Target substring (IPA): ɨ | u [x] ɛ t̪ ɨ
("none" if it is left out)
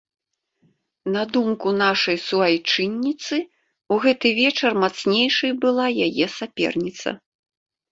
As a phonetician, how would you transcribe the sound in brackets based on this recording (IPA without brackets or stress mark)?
ɣ